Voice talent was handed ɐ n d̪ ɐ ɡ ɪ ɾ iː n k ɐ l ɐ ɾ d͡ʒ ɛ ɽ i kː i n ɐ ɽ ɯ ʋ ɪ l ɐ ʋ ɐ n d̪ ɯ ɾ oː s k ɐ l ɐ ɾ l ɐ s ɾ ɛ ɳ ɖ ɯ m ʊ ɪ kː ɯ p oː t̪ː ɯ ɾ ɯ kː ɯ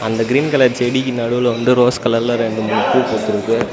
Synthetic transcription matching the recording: ɐ n d̪ ɐ ɡ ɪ ɾ iː n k ɐ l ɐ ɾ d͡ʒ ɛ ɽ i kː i n ɐ ɽ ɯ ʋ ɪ l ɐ ʋ ɐ n d̪ ɯ ɾ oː s k ɐ l ɐ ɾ l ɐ ɾ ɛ ɳ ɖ ɯ m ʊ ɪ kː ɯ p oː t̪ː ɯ ɾ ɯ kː ɯ

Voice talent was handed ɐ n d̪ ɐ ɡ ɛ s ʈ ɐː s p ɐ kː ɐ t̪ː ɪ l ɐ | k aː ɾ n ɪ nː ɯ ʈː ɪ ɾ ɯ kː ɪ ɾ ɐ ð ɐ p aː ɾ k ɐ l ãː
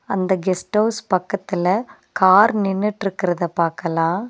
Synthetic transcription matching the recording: ɐ n d̪ ɐ ɡ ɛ s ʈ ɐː s p ɐ kː ɐ t̪ː ɪ l ɐ | k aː ɾ n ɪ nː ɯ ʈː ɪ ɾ ɯ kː ɪ ɾ ɐ ð ɐ p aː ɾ k ɐ l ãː

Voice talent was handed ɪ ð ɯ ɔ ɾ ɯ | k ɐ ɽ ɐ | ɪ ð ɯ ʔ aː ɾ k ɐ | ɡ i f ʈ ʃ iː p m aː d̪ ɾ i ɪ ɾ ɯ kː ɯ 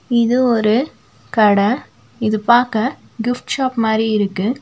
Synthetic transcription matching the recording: ɪ ð ɯ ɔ ɾ ɯ | k ɐ ɽ ɐ | ɪ ð ɯ p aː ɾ k ɐ | ɡ ɪ f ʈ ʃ aː p m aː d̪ ɾ i ɪ ɾ ɯ kː ɯ

